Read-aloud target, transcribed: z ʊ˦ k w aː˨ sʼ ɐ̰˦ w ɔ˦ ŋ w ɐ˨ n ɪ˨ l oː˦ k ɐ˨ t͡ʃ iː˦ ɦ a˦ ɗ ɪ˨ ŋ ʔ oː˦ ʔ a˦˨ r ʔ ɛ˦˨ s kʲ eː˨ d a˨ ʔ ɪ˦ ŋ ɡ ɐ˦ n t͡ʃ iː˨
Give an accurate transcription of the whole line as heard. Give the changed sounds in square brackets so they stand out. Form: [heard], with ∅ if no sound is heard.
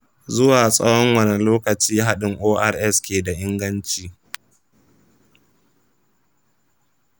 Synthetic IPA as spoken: z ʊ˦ [∅] w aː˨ sʼ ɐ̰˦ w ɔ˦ ŋ w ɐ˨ n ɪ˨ l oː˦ k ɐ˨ t͡ʃ iː˦ ɦ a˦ ɗ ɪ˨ ŋ ʔ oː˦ ʔ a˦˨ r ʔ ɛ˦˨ s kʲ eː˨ d a˨ ʔ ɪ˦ ŋ ɡ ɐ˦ n t͡ʃ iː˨